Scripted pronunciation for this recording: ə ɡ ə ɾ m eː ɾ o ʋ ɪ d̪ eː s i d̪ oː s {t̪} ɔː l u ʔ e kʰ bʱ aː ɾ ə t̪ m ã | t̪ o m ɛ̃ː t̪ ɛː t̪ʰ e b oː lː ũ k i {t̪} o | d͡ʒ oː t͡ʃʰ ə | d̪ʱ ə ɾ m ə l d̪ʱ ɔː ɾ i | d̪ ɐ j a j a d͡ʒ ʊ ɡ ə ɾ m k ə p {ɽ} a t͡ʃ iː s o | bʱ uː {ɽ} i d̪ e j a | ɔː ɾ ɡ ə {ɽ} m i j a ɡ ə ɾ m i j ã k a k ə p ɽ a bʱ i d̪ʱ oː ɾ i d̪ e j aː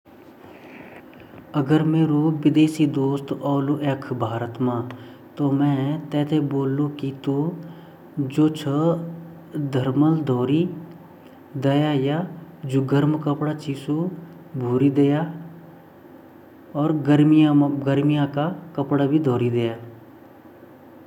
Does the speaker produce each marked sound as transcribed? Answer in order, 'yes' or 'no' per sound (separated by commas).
yes, yes, yes, no, no